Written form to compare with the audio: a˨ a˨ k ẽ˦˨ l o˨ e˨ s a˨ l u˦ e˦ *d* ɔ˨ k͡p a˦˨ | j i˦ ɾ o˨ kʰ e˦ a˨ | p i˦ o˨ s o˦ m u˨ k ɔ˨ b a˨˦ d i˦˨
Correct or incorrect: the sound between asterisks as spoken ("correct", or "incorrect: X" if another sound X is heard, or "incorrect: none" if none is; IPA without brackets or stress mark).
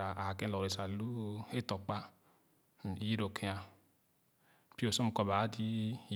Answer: incorrect: t